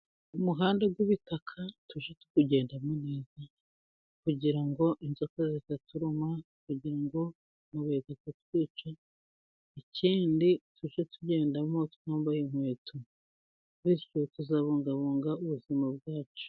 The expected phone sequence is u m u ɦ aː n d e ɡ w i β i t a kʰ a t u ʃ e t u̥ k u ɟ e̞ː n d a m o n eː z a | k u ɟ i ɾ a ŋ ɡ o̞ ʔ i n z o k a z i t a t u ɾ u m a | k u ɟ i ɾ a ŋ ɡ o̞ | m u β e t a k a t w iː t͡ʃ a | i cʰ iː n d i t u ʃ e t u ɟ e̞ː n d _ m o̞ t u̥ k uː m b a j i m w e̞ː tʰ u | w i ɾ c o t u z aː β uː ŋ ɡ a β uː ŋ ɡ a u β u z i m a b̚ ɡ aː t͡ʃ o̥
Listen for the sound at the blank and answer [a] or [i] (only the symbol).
a